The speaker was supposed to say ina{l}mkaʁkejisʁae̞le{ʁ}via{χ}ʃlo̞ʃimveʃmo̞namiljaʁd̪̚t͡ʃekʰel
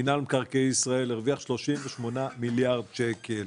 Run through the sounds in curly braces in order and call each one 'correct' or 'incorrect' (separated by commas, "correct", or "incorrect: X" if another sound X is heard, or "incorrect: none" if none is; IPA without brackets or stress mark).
correct, correct, correct